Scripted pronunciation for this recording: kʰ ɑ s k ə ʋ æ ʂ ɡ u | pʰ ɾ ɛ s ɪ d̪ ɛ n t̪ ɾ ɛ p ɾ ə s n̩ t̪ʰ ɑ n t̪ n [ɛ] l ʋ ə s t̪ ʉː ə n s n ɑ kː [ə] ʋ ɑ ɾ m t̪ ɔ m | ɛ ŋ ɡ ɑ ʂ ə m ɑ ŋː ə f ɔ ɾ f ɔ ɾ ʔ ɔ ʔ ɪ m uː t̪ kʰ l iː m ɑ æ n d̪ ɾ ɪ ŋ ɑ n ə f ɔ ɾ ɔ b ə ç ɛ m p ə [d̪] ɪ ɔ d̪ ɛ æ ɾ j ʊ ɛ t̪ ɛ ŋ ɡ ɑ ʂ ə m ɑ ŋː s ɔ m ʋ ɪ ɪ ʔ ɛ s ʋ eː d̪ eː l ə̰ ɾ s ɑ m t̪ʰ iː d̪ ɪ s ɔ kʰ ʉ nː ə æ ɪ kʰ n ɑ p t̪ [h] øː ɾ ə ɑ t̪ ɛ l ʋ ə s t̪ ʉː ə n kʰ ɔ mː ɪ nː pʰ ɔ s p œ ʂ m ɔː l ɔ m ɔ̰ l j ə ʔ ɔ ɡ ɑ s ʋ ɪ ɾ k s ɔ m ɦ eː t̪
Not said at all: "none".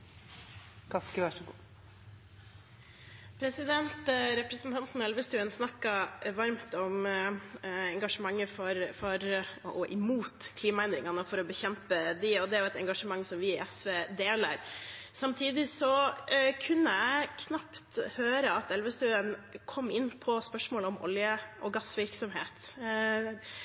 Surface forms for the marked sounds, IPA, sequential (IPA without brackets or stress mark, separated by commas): ɛ, ɑ, d̪, h